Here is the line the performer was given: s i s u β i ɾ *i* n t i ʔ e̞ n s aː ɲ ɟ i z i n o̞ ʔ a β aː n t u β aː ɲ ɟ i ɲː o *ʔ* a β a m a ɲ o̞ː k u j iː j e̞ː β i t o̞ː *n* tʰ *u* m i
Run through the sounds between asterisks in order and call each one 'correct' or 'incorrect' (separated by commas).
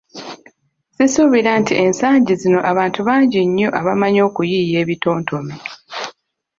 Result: incorrect, correct, correct, incorrect